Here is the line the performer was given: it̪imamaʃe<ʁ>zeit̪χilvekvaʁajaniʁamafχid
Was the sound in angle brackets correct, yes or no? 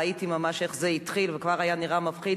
no